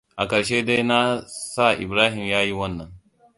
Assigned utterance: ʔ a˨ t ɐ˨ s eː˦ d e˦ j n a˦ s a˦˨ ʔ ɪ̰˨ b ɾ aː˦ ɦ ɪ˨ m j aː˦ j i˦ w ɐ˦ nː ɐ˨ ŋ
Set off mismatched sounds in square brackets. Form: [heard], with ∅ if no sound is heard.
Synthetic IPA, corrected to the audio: ʔ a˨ [k] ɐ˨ [ʃ] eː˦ d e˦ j n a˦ s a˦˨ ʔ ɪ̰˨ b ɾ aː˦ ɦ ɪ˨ m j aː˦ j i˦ w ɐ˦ nː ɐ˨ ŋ

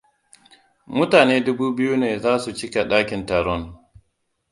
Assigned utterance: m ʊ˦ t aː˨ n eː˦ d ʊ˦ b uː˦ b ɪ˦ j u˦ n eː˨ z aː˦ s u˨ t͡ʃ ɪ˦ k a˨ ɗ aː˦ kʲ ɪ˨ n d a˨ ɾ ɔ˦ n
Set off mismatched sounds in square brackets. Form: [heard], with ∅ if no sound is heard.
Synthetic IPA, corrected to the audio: m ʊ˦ t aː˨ n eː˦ d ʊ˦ b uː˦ b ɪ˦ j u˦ n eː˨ z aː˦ s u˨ t͡ʃ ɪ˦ k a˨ ɗ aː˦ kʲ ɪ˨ n [t] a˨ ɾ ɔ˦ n

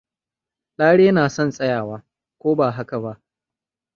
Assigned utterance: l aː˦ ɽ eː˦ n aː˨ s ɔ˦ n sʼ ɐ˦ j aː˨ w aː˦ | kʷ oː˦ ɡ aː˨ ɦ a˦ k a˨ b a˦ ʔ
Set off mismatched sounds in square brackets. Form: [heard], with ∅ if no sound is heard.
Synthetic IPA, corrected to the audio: l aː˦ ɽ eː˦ n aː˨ s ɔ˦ n sʼ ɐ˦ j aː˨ w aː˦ | kʷ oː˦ [b] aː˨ ɦ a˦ k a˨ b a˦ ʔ

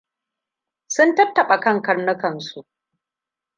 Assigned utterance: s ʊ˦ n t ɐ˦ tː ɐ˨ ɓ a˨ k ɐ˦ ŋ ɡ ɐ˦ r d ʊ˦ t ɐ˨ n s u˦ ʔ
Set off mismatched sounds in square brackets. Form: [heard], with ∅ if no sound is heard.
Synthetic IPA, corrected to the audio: s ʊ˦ n t ɐ˦ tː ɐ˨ ɓ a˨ k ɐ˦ ŋ [k] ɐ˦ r [n] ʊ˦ [k] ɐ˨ n s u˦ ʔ

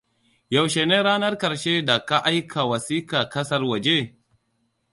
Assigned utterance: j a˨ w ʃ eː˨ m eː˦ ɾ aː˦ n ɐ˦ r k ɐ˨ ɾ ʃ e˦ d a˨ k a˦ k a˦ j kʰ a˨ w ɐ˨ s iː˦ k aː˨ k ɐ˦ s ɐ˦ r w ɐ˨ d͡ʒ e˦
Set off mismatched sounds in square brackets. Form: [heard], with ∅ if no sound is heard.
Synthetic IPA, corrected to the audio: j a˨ w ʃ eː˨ [n] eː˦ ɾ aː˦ n ɐ˦ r k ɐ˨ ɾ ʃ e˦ d a˨ k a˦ [ʔ] a˦ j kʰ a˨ w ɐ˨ s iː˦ k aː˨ k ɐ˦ s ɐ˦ r w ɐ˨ d͡ʒ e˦

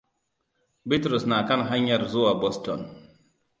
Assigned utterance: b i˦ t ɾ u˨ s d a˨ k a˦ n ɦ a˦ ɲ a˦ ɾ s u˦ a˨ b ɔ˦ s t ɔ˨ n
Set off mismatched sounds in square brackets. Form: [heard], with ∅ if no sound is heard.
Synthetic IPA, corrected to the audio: b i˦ t ɾ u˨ s [n] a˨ k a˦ n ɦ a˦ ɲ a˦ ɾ [z] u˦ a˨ b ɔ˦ s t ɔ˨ n

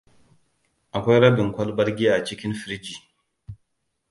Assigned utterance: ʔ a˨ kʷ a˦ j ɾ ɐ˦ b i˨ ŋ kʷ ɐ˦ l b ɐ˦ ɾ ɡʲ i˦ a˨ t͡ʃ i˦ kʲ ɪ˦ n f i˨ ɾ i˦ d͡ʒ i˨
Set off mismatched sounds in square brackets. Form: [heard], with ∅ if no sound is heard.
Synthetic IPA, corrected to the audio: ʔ a˨ kʷ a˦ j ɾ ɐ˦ b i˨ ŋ kʷ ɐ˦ l b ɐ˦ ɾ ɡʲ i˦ a˨ t͡ʃ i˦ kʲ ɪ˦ n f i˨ ɾ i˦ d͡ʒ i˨

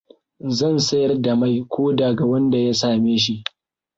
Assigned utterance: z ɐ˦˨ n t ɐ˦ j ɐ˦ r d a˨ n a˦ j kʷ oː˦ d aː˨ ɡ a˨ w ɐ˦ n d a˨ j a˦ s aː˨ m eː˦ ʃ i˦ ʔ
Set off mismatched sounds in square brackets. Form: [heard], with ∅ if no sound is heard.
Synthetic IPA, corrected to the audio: z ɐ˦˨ n [s] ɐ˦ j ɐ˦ r d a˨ [m] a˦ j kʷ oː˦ d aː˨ ɡ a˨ w ɐ˦ n d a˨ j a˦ s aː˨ m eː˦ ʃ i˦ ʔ

